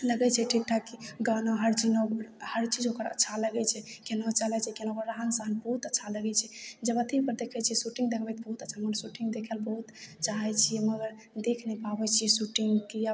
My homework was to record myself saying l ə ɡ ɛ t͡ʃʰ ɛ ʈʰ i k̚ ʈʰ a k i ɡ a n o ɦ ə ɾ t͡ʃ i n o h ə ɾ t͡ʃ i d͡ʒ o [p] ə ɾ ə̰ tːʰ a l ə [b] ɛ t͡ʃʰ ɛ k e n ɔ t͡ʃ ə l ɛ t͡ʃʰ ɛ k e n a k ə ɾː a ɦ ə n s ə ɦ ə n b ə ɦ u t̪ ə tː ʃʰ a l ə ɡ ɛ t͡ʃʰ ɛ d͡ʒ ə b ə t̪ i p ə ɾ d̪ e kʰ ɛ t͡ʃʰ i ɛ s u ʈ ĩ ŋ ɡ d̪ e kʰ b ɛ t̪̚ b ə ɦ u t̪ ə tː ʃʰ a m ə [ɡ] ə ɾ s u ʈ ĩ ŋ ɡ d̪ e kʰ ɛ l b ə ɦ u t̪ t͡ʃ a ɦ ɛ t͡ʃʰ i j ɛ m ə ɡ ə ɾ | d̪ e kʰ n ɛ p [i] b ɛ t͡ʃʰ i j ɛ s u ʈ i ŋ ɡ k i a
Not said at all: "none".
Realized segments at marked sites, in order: k, ɡ, ɡ, a

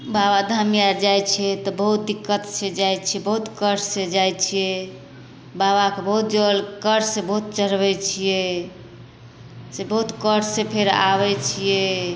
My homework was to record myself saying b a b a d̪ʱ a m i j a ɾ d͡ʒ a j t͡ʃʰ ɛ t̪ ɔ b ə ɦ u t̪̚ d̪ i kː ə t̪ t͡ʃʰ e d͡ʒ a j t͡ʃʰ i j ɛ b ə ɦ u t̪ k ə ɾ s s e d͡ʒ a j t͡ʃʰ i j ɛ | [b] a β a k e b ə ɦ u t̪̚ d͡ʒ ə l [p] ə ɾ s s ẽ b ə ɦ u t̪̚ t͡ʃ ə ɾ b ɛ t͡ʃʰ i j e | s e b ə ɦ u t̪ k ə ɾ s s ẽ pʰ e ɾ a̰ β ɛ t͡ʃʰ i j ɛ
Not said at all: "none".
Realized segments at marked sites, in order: b, k

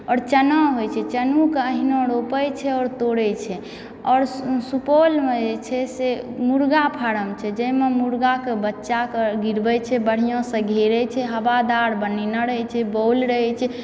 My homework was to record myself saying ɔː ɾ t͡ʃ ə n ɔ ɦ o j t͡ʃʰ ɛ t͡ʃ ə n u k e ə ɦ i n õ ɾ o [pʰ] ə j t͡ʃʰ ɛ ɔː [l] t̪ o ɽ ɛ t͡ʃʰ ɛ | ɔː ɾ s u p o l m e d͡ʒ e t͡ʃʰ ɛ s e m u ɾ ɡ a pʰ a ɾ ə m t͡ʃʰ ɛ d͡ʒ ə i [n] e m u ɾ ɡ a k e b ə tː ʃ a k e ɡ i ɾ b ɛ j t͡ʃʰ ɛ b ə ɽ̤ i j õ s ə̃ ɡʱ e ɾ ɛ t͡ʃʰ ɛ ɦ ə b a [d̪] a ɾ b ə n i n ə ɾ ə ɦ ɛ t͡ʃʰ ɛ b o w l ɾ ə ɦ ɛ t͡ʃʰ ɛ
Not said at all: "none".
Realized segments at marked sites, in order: p, ɾ, m, d̪

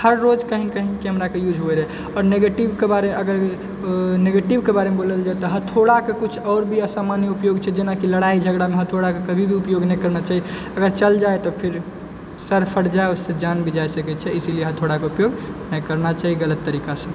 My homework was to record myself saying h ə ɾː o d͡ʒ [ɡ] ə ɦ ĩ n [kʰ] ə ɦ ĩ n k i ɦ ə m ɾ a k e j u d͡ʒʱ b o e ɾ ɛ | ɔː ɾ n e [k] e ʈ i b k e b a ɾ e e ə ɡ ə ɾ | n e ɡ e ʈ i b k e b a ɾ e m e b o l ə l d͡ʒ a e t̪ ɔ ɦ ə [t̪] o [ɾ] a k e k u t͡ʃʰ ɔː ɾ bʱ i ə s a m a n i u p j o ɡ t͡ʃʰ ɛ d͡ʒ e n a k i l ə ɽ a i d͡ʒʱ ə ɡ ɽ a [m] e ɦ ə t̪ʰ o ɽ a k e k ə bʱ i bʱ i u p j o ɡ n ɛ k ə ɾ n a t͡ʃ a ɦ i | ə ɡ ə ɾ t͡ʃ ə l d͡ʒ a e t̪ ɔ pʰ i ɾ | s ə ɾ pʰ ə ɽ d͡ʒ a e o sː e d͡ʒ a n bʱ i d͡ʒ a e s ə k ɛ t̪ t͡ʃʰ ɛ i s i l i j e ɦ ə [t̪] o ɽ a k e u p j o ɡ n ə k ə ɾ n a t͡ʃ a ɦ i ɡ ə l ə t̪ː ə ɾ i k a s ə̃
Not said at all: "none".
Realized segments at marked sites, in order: k, k, ɡ, t̪ʰ, ɽ, m, t̪ʰ

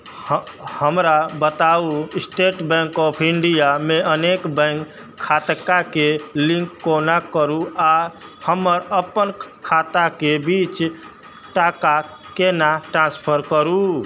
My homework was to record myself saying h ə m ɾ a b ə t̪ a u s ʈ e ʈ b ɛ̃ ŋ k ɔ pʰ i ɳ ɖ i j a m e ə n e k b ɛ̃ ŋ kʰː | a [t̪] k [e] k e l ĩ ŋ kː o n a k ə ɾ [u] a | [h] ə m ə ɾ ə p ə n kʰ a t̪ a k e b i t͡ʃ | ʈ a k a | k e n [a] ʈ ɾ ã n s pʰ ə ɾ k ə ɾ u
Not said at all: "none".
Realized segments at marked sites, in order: t̪, a, u, h, a

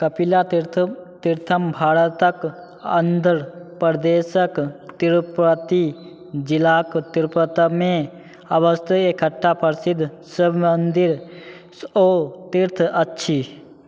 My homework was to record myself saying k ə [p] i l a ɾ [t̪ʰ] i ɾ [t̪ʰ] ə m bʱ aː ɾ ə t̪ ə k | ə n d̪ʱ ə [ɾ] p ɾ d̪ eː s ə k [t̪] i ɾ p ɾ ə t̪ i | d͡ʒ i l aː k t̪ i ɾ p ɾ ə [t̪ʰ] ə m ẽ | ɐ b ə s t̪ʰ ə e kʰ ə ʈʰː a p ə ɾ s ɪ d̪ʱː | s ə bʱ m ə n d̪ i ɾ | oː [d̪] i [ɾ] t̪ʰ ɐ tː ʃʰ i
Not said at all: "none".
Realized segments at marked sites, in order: p, t̪, t̪ʰ, ɾ, t̪, t̪, t̪, ɾ

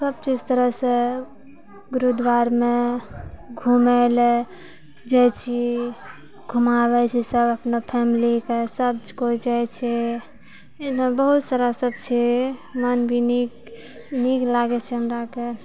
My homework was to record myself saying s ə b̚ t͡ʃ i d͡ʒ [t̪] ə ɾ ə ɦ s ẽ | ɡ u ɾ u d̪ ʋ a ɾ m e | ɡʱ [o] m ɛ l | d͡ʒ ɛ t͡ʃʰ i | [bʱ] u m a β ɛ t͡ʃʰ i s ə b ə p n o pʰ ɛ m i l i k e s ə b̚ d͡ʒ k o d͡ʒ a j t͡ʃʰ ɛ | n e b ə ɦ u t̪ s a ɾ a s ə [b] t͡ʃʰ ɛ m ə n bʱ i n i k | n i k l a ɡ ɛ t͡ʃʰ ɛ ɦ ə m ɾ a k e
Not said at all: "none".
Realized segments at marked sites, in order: t̪, u, ɡʱ, b

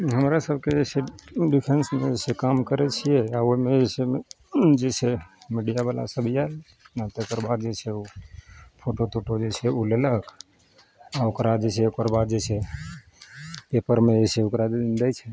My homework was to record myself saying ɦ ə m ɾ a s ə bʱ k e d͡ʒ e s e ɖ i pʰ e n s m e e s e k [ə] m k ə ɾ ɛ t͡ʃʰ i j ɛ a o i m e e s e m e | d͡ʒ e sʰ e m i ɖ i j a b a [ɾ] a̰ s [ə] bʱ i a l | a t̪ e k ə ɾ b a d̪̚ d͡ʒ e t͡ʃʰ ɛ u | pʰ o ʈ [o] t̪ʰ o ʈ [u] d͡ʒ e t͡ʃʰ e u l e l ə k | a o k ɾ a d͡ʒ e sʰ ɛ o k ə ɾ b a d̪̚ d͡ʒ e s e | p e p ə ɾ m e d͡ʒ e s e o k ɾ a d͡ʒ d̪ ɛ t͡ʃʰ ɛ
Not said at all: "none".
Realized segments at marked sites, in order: a, l, ə, o, o

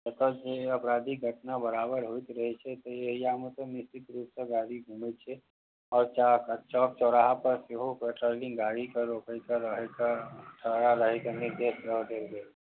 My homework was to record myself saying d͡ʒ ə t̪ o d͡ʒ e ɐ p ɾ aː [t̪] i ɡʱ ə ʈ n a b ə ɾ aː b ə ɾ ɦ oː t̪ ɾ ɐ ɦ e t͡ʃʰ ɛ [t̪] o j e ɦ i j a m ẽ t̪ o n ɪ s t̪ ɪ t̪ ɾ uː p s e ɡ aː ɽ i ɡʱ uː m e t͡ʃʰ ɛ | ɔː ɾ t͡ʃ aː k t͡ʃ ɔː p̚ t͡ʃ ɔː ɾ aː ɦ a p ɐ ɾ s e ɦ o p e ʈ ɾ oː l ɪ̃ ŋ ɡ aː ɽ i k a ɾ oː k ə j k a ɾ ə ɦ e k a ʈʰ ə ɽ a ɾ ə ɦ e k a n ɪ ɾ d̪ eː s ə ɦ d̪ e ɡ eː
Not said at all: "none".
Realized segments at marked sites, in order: d̪, t̪

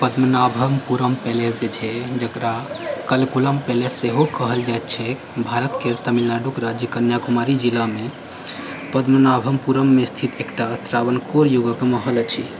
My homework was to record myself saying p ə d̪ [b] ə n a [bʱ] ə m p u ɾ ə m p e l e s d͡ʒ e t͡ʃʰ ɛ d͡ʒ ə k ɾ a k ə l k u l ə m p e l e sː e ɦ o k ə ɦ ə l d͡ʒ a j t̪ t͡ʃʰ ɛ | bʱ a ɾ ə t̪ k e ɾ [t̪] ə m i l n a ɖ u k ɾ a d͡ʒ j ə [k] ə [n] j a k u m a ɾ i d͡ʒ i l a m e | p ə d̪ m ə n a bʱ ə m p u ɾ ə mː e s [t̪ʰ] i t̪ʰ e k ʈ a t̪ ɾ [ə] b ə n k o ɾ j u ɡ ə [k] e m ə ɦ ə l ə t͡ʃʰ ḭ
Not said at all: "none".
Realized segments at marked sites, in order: m, bʱ, t̪, k, n, t̪ʰ, a, k

